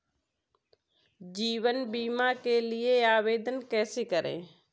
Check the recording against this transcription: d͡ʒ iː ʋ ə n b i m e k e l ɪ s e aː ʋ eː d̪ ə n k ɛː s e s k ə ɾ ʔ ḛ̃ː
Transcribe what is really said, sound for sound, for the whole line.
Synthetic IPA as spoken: d͡ʒ iː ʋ ə n b iː m a k e l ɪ e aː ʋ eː d̪ ə n k ɛː s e k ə ɾ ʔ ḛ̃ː